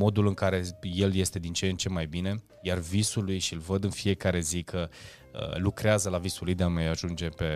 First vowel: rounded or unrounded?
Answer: rounded